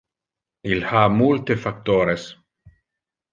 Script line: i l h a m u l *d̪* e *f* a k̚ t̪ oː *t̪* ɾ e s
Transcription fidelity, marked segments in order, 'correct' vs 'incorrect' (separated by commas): incorrect, correct, incorrect